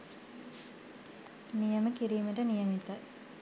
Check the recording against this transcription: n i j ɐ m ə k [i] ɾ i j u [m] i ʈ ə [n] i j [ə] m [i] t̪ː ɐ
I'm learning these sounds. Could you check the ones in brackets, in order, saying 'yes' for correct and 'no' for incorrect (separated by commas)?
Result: yes, yes, yes, no, yes